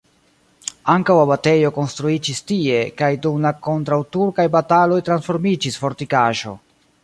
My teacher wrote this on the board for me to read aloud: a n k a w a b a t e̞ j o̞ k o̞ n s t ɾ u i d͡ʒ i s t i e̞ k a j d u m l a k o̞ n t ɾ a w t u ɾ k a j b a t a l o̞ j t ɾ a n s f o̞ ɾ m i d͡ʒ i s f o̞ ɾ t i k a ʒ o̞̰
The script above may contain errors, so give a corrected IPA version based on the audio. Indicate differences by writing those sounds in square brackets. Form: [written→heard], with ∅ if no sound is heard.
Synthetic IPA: a [n→ŋ] k a w a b a t e̞ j o̞ k o̞ n s t ɾ u i d͡ʒ i s t i e̞ k a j d u m l a k o̞ n t ɾ a w t u ɾ k a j b a t a l o̞ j t ɾ a n s f o̞ ɾ m i d͡ʒ i s f o̞ ɾ t i k a ʒ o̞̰